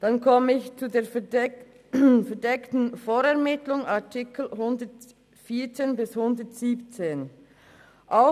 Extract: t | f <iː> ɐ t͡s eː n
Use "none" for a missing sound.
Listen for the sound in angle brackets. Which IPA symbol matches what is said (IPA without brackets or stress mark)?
iː